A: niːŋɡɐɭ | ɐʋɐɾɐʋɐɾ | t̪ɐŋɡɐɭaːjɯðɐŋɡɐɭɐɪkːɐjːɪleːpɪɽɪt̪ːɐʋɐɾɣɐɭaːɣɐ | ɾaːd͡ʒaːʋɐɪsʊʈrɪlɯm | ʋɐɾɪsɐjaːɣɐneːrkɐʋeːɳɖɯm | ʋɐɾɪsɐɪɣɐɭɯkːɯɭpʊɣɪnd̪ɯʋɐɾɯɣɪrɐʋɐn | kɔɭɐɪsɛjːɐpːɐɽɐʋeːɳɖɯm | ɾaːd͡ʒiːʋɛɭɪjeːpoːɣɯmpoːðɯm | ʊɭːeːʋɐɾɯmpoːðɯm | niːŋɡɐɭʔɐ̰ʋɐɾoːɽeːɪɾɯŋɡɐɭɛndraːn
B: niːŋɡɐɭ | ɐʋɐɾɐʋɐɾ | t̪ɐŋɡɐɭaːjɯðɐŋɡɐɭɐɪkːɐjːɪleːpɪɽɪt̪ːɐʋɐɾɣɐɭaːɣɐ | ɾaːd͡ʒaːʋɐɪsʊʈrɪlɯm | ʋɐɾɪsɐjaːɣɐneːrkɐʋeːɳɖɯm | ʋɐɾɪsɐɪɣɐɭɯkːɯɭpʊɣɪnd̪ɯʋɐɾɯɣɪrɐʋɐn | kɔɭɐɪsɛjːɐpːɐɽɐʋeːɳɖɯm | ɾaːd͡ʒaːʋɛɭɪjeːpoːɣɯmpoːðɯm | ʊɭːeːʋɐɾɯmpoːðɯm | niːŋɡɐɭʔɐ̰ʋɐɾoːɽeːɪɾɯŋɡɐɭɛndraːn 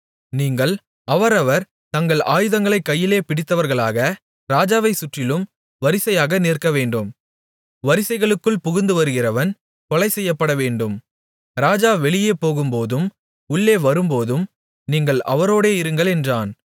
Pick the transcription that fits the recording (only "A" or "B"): B